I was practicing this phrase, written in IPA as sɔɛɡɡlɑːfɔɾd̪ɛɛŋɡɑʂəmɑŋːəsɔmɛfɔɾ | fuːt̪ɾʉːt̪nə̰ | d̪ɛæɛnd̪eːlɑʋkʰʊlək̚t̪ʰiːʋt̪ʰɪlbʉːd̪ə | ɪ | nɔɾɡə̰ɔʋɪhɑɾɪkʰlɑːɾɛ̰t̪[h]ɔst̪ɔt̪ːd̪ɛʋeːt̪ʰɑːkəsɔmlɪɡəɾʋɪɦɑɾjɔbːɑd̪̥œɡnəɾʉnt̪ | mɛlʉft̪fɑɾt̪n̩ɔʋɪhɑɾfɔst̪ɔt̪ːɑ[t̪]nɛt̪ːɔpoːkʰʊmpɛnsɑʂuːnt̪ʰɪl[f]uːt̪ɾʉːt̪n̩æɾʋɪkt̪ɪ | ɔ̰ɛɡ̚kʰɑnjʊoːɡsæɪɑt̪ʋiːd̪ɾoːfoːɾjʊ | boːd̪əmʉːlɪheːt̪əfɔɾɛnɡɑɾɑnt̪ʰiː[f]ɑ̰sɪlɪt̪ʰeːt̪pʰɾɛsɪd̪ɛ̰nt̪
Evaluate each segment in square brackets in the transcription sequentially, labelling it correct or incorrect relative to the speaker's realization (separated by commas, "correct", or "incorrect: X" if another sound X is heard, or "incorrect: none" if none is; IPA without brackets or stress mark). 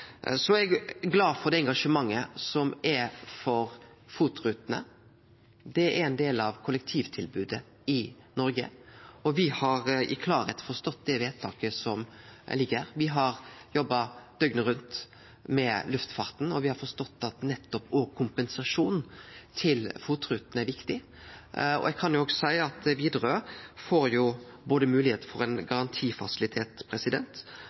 incorrect: f, correct, correct, correct